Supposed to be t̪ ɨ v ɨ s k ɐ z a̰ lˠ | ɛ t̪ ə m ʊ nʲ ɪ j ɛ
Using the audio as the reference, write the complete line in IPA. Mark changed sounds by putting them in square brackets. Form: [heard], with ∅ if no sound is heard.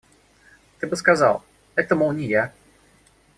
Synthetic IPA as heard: t̪ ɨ [b] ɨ s k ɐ z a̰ lˠ | ɛ t̪ ə m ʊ nʲ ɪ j [a]

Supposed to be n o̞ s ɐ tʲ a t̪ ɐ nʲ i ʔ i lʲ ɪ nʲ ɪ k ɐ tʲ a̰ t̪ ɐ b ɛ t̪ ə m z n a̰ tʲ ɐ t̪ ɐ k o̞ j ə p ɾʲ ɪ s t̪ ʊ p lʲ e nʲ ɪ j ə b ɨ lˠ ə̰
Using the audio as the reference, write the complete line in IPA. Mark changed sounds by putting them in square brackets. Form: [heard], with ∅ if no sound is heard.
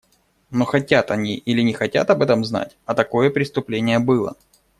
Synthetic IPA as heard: n o̞ [x] ɐ tʲ a t̪ ɐ nʲ i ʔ i lʲ ɪ nʲ ɪ [x] ɐ tʲ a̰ t̪ ɐ b ɛ t̪ ə m z n a̰ tʲ ɐ t̪ ɐ k o̞ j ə p ɾʲ ɪ s t̪ ʊ p lʲ e nʲ ɪ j ə b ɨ lˠ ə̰

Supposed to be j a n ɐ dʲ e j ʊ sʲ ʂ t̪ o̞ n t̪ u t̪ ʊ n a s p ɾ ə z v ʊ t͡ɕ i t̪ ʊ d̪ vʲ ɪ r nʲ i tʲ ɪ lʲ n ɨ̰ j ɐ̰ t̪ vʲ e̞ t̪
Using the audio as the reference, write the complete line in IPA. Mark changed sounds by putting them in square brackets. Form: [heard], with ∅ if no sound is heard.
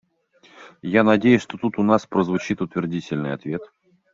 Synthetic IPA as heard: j a n ɐ dʲ e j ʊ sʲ ʂ t̪ o̞ [∅] t̪ u t̪ ʊ n a s p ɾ ə z v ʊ t͡ɕ i t̪ ʊ [t̪] vʲ ɪ r [dʲ] i tʲ ɪ lʲ n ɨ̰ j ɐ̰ t̪ vʲ e̞ t̪

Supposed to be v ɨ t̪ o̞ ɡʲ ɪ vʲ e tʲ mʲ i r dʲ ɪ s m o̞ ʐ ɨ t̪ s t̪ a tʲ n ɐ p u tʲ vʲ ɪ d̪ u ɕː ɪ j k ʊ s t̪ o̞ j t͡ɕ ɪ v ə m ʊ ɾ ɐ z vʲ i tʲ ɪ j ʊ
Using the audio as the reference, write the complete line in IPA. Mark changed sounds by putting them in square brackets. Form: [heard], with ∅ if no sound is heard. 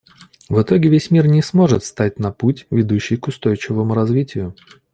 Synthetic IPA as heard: v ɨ t̪ o̞ ɡʲ ɪ vʲ e [sʲ] mʲ i r [nʲ] ɪ s m o̞ ʐ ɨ t̪ s t̪ a tʲ n ɐ p u tʲ vʲ ɪ d̪ u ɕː ɪ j k ʊ s t̪ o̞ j t͡ɕ ɪ v ə m ʊ ɾ ɐ z vʲ i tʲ ɪ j ʊ

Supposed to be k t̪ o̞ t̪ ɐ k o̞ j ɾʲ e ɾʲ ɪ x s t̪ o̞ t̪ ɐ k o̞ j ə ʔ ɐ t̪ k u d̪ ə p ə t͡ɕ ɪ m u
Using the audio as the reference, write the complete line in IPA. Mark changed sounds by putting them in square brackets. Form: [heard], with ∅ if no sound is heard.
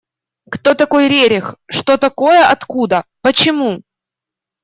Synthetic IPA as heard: k t̪ o̞ t̪ ɐ k o̞ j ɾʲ e ɾʲ ɪ x [ʂ] t̪ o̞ t̪ ɐ k o̞ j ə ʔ ɐ t̪ k u d̪ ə p ə t͡ɕ ɪ m u

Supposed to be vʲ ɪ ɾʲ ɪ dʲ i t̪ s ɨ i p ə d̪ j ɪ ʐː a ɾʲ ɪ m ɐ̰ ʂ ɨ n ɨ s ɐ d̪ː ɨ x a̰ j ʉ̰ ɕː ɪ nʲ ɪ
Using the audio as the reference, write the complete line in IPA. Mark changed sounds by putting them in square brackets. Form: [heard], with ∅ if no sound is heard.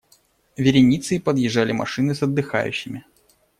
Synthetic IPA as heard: vʲ ɪ ɾʲ ɪ [nʲ] i t̪ s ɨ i p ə d̪ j ɪ ʐː a [lʲ] ɪ m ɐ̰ ʂ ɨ n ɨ s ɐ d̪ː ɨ x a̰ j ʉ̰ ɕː ɪ [mʲ] ɪ

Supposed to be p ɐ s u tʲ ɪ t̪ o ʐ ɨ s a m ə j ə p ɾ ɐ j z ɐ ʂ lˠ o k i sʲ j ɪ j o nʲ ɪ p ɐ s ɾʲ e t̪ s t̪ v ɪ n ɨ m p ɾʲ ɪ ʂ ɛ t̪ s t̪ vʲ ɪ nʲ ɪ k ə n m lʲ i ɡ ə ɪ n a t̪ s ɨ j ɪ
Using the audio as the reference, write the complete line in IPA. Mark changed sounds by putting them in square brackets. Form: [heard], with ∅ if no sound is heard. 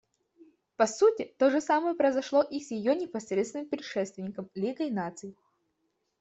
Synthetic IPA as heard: p ɐ s u tʲ ɪ t̪ o ʐ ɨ s a m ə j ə p ɾ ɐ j z ɐ ʂ lˠ o [ʔ] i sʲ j ɪ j o nʲ ɪ p ɐ s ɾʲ e t̪ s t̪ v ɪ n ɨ m p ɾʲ ɪ ʂ ɛ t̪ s t̪ vʲ ɪ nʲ ɪ k ə [∅] m lʲ i ɡ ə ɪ n a t̪ s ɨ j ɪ

